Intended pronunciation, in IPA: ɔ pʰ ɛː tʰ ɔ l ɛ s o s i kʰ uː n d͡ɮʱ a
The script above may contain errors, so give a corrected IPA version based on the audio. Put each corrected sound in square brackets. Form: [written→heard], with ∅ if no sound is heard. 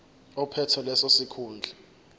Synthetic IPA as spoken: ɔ pʰ [ɛː→ɛ] tʰ ɔ l ɛ s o s i kʰ uː n d͡ɮʱ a